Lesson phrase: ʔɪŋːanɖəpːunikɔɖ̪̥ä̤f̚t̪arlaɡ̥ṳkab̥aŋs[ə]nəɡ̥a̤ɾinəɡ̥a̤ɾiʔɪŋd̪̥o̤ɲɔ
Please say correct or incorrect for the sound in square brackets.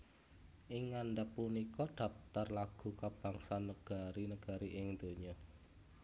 incorrect